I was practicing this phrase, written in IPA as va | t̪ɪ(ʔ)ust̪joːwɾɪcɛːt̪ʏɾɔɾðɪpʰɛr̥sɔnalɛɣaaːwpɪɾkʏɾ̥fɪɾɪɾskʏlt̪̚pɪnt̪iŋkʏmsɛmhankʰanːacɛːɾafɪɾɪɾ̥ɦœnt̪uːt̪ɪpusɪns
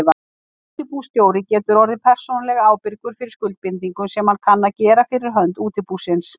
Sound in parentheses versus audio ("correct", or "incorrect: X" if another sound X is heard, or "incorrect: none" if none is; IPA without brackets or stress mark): incorrect: p